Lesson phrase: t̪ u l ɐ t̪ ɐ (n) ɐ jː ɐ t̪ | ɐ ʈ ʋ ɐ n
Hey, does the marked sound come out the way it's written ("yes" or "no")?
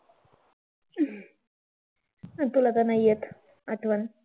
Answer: yes